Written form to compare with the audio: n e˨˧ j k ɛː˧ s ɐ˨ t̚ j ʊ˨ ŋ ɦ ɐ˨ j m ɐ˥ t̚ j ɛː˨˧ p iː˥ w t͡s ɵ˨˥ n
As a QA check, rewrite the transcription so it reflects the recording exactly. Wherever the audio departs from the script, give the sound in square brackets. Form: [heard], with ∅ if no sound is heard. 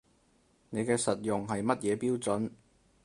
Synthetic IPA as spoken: n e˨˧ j k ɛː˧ s ɐ˨ t̚ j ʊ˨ ŋ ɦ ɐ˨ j m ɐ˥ t̚ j ɛː˨˧ p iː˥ w t͡s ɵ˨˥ n